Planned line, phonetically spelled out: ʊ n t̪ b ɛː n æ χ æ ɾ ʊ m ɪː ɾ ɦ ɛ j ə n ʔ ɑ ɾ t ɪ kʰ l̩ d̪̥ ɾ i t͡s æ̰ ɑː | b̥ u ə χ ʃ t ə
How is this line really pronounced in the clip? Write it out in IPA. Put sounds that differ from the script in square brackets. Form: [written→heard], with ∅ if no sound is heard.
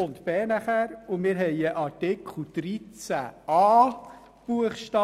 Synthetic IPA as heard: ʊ n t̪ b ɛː n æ χ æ ɾ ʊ m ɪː ɾ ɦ ɛ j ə [n→∅] ʔ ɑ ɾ t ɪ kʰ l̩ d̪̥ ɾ i t͡s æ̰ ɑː | b̥ u ə χ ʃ t [ə→ɑ]